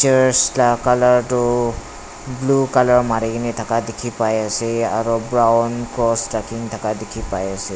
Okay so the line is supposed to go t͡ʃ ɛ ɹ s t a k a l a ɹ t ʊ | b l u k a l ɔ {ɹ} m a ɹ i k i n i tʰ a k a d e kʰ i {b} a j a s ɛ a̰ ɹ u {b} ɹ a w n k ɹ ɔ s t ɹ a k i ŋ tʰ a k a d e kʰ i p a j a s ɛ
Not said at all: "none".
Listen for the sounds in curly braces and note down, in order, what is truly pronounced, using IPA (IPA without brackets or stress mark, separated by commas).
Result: ɹ, p, b